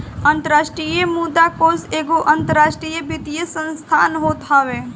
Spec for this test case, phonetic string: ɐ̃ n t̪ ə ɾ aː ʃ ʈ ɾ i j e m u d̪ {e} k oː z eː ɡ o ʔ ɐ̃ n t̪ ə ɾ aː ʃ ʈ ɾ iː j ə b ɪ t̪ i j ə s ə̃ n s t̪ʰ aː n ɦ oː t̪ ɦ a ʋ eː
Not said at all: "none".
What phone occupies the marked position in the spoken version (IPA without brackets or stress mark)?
a